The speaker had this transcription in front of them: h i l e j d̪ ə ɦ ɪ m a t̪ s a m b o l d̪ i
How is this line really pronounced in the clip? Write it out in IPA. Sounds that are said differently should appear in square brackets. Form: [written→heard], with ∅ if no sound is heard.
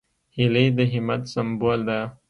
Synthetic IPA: h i l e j d̪ ə ɦ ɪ m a t̪ s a m b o l d̪ [i→a]